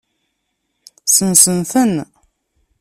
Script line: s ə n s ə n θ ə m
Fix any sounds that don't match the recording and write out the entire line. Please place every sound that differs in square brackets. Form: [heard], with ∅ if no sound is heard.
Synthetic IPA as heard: s ə n s ə n θ ə [n]